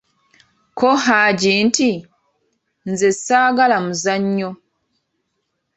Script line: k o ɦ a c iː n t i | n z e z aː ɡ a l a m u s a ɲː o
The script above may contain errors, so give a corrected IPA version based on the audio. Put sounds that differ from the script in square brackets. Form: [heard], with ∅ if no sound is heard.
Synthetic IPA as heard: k o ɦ a [ɟ] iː n t i | n z e [s] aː ɡ a l a m u [z] a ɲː o